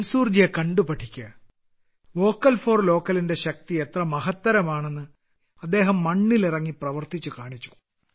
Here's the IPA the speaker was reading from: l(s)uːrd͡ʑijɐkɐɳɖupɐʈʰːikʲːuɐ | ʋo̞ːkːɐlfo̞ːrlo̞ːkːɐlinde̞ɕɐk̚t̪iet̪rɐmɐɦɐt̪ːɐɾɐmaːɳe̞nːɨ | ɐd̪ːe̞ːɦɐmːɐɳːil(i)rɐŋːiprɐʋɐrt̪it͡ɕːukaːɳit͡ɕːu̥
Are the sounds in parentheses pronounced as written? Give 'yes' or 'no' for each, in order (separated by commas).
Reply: yes, yes